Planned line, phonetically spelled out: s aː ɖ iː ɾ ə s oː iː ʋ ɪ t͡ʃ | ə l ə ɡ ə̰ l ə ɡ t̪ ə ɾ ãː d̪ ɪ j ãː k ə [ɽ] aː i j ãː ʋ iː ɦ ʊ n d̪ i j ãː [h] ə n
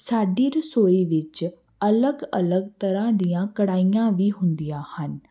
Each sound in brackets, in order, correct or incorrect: correct, correct

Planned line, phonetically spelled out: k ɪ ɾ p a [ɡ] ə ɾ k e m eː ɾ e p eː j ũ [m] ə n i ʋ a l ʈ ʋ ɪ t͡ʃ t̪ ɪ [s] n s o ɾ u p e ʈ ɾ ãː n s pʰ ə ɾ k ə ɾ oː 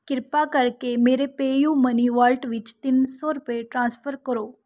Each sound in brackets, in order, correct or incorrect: incorrect: k, correct, incorrect: none

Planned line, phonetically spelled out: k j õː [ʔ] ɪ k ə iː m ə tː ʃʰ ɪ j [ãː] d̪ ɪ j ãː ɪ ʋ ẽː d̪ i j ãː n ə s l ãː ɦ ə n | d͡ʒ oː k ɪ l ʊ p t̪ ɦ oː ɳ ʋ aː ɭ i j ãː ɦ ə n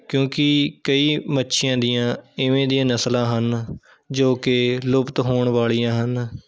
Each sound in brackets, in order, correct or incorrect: incorrect: k, correct

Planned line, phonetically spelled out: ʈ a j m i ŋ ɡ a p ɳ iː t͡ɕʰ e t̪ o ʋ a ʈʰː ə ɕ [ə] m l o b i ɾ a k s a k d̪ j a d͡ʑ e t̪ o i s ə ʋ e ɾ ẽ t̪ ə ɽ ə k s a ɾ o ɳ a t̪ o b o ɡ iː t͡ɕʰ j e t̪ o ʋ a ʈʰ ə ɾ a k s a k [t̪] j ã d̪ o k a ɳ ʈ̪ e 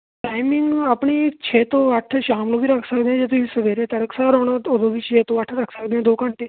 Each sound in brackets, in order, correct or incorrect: incorrect: a, incorrect: d̪

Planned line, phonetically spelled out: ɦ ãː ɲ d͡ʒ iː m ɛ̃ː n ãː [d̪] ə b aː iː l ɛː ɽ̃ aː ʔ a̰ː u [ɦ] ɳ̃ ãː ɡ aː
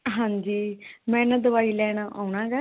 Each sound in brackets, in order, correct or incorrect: correct, incorrect: none

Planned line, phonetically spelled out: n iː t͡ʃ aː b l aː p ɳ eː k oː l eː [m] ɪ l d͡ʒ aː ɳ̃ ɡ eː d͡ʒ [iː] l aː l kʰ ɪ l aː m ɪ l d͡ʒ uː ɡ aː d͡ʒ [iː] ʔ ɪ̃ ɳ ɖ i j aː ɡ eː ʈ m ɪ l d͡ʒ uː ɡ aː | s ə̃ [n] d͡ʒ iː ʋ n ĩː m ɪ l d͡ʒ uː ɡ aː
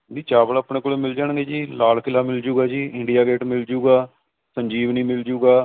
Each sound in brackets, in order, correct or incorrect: correct, correct, correct, incorrect: ɲ

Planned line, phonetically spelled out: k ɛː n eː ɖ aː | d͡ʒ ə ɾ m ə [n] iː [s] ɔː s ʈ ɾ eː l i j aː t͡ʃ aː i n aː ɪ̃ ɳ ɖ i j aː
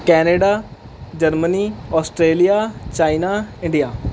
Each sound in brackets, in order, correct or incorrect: correct, incorrect: none

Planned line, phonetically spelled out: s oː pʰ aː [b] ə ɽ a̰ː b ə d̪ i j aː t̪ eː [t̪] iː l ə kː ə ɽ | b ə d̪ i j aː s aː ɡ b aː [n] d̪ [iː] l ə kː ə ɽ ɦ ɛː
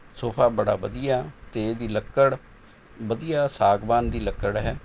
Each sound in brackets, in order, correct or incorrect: correct, incorrect: d̪, correct, correct

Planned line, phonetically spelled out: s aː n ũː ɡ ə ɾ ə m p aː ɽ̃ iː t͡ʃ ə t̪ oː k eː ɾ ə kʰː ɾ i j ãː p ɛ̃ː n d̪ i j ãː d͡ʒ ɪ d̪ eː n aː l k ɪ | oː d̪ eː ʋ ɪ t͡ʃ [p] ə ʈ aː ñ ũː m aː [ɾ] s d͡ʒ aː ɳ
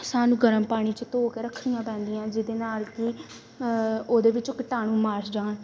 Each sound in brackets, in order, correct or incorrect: incorrect: k, correct

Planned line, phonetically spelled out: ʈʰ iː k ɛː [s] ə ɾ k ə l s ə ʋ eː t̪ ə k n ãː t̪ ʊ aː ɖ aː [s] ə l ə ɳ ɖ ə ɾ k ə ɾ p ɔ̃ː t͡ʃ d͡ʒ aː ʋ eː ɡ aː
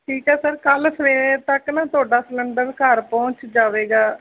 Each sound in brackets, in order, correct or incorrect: correct, correct

